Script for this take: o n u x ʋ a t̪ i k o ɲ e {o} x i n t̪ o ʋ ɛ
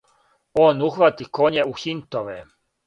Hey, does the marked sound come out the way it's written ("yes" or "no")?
no